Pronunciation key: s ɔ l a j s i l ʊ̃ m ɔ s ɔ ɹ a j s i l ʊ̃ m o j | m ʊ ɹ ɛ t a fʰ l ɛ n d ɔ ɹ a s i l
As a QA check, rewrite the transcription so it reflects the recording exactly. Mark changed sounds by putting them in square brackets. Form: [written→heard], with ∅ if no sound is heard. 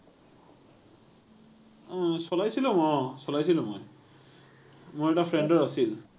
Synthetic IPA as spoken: s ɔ l a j s i l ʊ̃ m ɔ s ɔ [ɹ→l] a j s i l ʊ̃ m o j | m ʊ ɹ ɛ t a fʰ [l→ɹ] ɛ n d ɔ ɹ a s i l